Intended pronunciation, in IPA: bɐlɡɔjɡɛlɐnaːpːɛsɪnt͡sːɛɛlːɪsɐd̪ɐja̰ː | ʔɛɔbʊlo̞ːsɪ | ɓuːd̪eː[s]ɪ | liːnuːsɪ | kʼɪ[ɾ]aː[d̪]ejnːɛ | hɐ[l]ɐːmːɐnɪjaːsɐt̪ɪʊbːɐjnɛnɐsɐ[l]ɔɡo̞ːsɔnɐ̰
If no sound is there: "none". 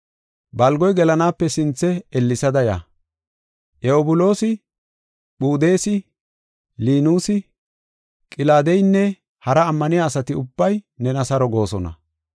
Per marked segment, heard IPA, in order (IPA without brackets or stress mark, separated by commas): s, l, d̪, ɾ, ɾ